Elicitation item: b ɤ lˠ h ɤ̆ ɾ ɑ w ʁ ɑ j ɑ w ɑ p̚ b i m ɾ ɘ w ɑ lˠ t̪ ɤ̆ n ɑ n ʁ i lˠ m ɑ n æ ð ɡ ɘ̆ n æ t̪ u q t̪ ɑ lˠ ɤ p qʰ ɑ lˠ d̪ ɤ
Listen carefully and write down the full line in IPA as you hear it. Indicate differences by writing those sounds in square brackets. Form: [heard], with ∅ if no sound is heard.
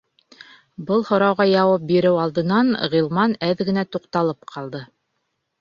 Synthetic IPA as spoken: b ɤ lˠ h [ŏ] ɾ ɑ w ʁ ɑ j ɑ w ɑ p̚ b i [∅] ɾ ɘ w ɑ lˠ [d̪] ɤ̆ n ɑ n ʁ i lˠ m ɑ n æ ð ɡ ɘ̆ n æ t̪ u q t̪ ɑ lˠ ɤ p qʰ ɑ lˠ d̪ ɤ